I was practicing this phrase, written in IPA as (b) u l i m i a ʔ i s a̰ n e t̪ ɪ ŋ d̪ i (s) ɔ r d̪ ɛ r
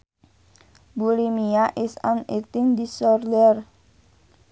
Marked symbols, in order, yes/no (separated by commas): yes, yes